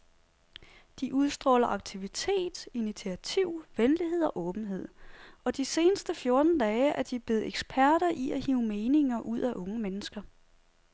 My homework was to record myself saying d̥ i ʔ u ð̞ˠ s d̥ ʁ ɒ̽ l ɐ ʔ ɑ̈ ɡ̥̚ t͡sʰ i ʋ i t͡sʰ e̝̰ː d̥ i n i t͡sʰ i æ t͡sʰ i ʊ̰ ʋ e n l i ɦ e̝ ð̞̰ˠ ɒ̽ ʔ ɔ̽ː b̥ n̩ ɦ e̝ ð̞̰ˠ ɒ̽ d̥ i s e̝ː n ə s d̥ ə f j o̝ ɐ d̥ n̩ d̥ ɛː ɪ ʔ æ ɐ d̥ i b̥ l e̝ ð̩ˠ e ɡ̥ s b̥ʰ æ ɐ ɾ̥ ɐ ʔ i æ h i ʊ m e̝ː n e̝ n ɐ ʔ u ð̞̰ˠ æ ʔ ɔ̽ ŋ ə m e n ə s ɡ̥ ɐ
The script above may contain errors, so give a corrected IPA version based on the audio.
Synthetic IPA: d̥ i ʔ u ð̞ˠ s d̥ ʁ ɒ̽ l ɐ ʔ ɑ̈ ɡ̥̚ t͡sʰ i ʋ i t͡sʰ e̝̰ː d̥ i n i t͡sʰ i æ t͡sʰ i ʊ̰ ʋ e n l i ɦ e̝ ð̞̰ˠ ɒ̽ ʔ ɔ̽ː b̥ n̩ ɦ e̝ ð̞̰ˠ ɒ̽ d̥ i s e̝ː n ə s d̥ ə f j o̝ ɐ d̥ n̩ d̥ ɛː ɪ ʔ æ ɐ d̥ i b̥ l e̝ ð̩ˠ e ɡ̥ s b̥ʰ æ ɐ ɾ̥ ɐ ʔ i æ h i ʊ m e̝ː n e̝ ŋ ɐ ʔ u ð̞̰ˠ æ ʔ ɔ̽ ŋ ə m e n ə s ɡ̥ ɐ